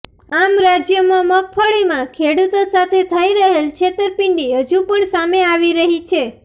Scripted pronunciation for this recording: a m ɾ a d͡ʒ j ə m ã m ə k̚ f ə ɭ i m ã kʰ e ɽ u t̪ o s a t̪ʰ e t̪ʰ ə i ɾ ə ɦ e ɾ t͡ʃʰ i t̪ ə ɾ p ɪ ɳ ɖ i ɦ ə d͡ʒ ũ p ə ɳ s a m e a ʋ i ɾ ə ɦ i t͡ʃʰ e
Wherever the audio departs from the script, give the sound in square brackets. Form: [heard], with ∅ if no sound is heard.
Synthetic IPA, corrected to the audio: a m ɾ a d͡ʒ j ə m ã m ə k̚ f ə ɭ i m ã kʰ e ɽ u t̪ o s a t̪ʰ e t̪ʰ ə i ɾ ə ɦ e [l] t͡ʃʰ [e] t̪ ə ɾ p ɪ ɳ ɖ i ɦ ə d͡ʒ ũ p ə ɳ s a m e a ʋ i ɾ ə ɦ i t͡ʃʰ e